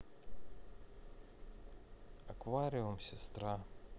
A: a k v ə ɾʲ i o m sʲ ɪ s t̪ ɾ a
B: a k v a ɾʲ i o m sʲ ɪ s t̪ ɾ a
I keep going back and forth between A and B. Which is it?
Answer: B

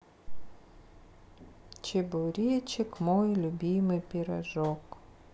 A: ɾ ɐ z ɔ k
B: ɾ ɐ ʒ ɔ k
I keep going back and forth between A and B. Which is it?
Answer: B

